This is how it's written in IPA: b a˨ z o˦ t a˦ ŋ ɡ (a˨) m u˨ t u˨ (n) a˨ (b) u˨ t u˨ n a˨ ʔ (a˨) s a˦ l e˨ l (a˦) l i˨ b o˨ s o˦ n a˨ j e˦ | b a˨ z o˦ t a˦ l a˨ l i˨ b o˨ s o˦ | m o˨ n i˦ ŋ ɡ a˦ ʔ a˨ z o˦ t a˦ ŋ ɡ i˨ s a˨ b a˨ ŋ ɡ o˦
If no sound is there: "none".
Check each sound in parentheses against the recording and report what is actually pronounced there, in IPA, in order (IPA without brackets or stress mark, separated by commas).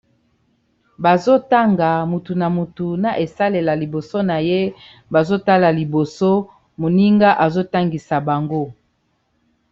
a˨, n, m, e˨, a˨